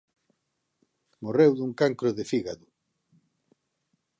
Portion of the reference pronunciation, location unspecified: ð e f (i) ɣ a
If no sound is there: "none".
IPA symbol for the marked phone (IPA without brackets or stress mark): i